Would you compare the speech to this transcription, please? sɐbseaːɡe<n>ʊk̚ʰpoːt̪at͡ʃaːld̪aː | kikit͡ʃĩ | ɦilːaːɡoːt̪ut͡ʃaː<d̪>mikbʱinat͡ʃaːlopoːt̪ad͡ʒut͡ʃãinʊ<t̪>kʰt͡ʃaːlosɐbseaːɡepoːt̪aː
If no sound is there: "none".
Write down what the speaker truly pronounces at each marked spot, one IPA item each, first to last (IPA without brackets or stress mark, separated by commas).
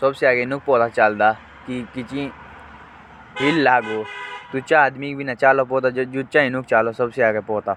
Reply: n, d̪, none